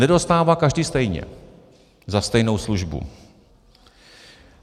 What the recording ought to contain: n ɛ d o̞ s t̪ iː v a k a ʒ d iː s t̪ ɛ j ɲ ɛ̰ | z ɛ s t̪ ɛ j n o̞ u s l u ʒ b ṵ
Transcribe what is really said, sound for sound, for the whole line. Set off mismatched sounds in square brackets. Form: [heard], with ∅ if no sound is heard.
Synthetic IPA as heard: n ɛ d o̞ s t̪ [aː] v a k a ʒ d iː s t̪ ɛ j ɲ ɛ̰ | z [a] s t̪ ɛ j n o̞ [w] s l u ʒ b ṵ